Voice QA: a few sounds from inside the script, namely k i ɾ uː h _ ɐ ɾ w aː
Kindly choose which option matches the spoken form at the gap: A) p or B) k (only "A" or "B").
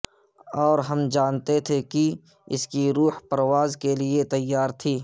A